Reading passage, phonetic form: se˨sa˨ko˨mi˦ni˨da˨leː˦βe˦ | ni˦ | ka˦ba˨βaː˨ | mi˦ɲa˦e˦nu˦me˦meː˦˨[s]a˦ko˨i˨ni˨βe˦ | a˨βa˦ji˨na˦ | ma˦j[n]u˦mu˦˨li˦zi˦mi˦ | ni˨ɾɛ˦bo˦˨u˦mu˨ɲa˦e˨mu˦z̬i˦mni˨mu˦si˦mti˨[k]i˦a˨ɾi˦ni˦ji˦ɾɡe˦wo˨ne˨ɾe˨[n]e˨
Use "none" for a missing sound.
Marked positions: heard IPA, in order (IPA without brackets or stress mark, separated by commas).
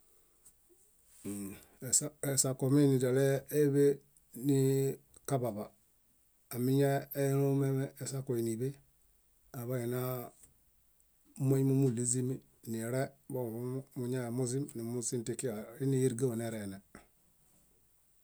s, m, k, n